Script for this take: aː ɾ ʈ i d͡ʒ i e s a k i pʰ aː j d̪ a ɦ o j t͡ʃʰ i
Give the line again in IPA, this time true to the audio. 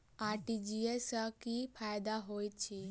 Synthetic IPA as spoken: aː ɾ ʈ i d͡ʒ i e s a k i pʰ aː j d̪ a ɦ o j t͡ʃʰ i